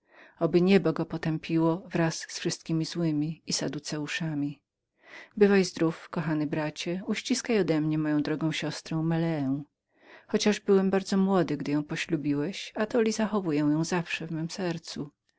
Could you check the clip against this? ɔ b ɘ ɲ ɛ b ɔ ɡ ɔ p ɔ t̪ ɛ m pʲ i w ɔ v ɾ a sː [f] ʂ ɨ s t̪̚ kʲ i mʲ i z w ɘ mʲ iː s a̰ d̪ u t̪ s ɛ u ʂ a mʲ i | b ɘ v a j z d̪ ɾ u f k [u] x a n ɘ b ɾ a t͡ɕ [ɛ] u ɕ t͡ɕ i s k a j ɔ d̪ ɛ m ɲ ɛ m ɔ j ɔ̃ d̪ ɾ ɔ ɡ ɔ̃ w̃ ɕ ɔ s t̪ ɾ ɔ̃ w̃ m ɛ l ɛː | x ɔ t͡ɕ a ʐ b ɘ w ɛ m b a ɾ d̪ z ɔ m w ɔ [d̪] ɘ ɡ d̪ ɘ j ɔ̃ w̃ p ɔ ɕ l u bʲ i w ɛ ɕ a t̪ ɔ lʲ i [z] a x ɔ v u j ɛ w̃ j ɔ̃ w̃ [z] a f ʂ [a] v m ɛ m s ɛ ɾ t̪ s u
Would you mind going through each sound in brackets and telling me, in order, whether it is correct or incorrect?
correct, incorrect: ɔ, correct, correct, correct, correct, incorrect: ɛ

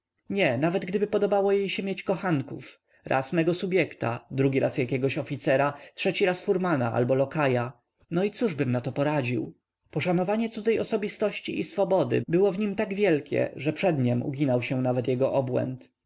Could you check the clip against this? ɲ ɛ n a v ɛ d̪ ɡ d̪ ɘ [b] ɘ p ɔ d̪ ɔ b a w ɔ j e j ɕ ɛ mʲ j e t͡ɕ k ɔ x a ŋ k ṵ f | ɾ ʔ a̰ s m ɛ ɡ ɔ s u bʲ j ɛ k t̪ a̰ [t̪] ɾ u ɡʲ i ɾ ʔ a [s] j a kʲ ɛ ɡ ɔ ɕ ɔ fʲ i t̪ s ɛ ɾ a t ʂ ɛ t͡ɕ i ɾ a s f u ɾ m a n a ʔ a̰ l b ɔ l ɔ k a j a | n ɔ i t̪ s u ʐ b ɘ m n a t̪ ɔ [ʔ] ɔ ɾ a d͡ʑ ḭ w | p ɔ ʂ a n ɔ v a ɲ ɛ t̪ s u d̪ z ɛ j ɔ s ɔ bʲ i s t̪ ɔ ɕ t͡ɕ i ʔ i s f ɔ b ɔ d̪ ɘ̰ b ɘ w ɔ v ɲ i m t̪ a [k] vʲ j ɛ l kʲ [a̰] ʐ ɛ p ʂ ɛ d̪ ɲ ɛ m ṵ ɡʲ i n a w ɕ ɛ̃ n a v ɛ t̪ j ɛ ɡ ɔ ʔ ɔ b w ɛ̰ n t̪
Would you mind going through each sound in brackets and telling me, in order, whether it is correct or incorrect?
correct, incorrect: d̪, correct, incorrect: p, incorrect: ɡ, incorrect: ɛ̰

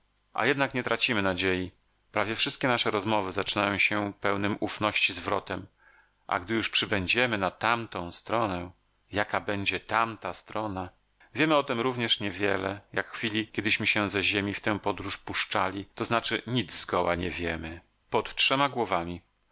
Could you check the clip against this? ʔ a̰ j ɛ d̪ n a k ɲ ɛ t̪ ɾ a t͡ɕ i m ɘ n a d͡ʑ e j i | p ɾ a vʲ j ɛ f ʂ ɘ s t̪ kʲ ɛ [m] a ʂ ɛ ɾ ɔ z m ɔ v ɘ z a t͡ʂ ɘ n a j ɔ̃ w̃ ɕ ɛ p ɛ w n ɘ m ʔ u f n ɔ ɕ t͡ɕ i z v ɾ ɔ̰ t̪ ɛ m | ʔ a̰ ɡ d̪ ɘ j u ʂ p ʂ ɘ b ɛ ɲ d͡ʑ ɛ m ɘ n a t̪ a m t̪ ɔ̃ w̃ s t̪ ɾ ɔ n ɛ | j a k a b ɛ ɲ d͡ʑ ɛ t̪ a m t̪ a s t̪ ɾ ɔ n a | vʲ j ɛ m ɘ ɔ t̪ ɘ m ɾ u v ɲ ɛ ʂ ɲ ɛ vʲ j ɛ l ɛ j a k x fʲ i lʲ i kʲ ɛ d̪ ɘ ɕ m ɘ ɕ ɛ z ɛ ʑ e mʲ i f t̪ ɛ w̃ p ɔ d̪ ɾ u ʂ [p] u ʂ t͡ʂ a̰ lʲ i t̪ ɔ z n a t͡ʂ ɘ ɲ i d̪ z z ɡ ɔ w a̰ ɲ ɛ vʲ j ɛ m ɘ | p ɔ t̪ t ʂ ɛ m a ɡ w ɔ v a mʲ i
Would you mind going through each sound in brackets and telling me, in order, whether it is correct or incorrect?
incorrect: n, correct

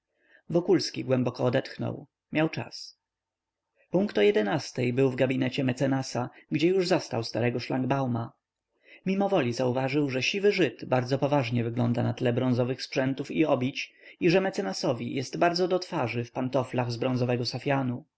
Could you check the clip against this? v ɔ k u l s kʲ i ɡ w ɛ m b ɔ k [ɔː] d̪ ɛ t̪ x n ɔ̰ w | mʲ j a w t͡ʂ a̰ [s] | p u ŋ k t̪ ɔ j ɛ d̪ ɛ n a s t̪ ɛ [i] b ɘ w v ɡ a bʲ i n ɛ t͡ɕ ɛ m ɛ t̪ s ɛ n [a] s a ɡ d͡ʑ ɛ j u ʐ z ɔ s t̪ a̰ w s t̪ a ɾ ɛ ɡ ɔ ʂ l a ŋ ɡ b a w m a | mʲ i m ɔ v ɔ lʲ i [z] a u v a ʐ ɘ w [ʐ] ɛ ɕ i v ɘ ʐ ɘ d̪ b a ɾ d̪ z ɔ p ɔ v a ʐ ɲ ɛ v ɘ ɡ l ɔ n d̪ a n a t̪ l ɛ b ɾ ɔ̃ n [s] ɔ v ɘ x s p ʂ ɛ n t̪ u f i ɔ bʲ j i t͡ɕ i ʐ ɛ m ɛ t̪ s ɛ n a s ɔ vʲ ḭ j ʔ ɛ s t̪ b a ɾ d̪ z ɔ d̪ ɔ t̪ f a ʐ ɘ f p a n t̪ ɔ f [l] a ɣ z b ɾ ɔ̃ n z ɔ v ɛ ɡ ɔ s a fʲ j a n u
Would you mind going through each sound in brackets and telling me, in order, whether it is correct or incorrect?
correct, correct, incorrect: j, correct, correct, correct, incorrect: z, correct

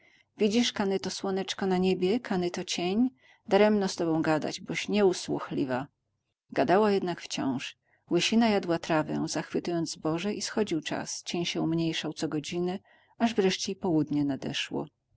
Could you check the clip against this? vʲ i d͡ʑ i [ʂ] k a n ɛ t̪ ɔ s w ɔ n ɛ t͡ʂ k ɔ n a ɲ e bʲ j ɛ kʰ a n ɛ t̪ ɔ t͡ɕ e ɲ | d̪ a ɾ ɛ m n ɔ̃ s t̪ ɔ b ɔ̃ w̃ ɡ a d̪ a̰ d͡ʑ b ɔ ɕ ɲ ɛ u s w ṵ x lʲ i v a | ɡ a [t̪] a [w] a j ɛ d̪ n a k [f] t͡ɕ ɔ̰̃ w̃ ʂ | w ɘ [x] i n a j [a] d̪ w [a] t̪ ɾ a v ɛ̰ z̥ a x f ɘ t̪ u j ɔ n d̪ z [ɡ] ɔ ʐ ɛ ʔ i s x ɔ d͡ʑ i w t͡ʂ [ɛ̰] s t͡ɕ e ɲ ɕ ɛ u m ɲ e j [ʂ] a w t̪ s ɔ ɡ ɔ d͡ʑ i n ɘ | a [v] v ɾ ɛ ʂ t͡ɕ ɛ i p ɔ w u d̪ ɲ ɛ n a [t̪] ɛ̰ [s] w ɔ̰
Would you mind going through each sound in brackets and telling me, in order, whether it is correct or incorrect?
correct, incorrect: d̪, correct, correct, incorrect: ɕ, correct, correct, incorrect: b, incorrect: a̰, correct, incorrect: ʐ, incorrect: d̪, incorrect: ʂ

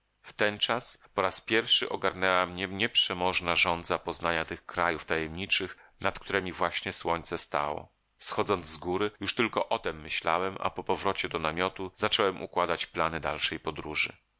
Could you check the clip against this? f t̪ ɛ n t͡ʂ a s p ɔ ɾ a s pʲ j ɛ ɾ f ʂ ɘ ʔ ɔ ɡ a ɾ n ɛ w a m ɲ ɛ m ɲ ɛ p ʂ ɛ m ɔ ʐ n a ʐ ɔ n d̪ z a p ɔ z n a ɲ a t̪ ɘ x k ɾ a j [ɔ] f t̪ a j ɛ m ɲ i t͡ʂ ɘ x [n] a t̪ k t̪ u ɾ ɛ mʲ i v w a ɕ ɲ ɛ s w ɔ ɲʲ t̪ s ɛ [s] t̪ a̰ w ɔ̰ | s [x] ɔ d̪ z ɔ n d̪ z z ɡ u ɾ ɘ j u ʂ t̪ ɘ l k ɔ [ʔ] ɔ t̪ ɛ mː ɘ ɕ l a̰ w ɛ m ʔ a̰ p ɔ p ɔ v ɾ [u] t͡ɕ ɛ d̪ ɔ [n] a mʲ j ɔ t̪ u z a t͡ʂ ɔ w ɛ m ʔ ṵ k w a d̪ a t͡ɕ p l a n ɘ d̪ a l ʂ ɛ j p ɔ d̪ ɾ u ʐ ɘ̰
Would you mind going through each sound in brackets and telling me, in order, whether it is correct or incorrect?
incorrect: u, correct, correct, correct, correct, incorrect: ɔ, correct

